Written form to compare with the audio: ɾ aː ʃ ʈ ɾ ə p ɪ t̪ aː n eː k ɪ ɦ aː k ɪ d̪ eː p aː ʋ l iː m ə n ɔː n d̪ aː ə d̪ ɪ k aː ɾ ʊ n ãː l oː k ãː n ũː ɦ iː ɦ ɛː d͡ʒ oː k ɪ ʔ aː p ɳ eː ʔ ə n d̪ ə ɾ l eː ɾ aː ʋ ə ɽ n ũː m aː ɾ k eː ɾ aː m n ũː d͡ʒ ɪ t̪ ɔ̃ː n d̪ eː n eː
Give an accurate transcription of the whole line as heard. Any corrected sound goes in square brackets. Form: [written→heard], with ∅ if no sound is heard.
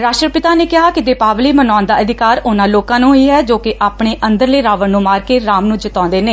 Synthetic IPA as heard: ɾ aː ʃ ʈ ɾ ə p ɪ t̪ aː n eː k ɪ ɦ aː k ɪ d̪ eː p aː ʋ l iː m ə n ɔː n d̪ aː ə d̪ ɪ k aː ɾ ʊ n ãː l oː k ãː n ũː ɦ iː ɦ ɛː d͡ʒ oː k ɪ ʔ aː p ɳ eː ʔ ə n d̪ ə ɾ l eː ɾ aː ʋ ə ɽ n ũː m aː ɾ k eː ɾ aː m n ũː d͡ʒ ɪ t̪ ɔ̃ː n d̪ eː n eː